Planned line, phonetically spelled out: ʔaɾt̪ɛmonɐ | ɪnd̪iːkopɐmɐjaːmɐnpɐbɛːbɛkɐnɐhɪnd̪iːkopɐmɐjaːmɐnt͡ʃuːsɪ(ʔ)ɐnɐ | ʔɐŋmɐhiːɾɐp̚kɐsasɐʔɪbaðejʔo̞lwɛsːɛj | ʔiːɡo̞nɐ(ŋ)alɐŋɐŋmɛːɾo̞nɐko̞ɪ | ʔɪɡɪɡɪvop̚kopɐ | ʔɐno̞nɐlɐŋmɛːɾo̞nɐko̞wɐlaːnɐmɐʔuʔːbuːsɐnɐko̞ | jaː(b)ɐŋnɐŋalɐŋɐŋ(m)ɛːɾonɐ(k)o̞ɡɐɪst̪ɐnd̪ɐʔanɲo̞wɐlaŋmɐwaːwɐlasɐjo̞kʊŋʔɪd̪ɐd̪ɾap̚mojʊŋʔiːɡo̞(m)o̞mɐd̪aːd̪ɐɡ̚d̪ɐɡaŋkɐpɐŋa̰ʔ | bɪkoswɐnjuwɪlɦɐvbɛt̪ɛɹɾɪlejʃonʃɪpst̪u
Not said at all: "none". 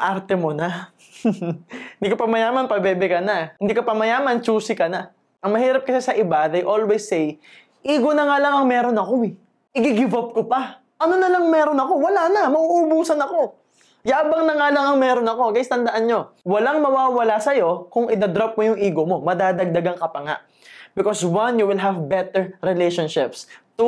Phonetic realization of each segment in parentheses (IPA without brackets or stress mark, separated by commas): k, ŋ, b, m, k, m